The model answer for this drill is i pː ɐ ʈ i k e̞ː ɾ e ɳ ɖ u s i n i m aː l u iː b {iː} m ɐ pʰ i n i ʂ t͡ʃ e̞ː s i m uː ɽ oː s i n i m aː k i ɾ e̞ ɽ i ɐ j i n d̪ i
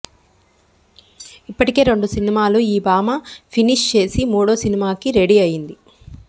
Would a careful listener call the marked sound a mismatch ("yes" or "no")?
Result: yes